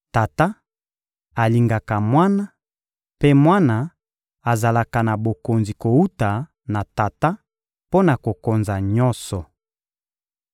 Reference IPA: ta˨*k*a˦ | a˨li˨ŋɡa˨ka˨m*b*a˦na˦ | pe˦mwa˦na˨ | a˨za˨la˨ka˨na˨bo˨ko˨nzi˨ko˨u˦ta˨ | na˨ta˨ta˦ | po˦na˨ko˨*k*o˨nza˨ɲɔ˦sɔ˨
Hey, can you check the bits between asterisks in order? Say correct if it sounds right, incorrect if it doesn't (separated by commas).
incorrect, incorrect, correct